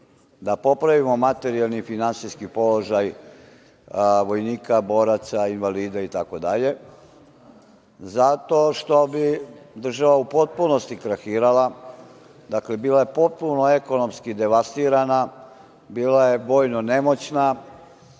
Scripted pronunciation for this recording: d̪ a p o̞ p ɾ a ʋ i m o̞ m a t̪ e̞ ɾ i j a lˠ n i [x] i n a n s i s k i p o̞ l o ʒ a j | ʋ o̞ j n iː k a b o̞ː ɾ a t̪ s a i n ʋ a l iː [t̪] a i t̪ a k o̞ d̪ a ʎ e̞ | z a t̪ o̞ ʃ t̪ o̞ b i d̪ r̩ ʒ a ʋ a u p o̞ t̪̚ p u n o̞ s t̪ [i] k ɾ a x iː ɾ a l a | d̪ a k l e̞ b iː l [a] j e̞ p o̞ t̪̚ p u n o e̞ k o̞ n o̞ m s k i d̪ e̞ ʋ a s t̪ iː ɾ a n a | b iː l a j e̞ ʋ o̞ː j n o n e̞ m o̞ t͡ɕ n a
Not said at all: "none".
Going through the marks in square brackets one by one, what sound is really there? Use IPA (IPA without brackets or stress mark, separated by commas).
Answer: f, d̪, i, a